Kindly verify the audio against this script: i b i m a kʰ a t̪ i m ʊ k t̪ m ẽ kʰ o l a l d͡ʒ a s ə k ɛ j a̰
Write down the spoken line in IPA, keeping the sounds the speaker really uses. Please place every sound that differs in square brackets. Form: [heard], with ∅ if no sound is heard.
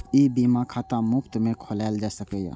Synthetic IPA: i b i m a kʰ a t̪ [a] m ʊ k t̪ m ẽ kʰ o l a l d͡ʒ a s ə k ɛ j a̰